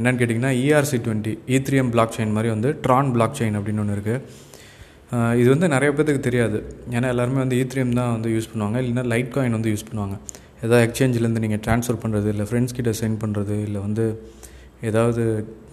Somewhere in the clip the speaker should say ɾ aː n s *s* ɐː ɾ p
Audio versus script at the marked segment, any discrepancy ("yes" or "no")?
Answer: yes